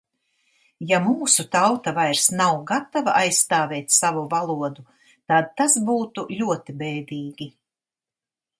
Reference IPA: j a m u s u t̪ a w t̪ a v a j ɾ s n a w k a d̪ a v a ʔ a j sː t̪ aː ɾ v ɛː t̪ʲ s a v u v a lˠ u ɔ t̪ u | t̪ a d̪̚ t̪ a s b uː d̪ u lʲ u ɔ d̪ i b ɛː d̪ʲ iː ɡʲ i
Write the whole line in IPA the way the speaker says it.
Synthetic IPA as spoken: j a m uː s u t̪ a w t̪ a v a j ɾ s n a w ɡ a t̪ a v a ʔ a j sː t̪ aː v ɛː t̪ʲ s a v u v a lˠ u ɔ d̪ u | t̪ a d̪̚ t̪ a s b uː t̪ u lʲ u ɔ t̪ i b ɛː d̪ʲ iː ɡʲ i